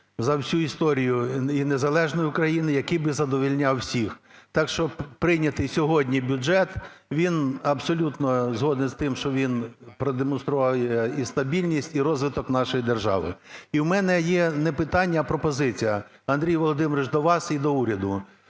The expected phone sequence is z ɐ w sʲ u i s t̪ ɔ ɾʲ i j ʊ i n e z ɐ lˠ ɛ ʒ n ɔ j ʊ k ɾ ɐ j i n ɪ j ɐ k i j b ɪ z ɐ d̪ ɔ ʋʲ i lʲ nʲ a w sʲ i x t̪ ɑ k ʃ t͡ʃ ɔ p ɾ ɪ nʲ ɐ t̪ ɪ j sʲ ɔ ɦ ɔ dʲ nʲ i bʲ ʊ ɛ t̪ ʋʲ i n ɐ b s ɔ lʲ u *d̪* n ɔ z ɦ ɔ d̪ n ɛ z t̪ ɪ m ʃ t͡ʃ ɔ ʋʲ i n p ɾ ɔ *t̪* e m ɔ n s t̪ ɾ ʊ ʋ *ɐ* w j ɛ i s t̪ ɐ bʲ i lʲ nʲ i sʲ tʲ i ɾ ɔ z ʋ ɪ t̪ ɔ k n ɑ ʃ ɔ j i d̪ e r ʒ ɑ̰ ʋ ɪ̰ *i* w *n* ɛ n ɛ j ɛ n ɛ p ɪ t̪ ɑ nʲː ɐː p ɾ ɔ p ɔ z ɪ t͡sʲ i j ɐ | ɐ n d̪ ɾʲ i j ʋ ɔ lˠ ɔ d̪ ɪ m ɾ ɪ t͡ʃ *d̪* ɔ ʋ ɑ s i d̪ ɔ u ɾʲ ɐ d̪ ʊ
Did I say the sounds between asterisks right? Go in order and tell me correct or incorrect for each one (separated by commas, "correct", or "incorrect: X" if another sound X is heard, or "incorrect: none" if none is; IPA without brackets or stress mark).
incorrect: t̪, incorrect: d̪, incorrect: ɑ, correct, incorrect: m, correct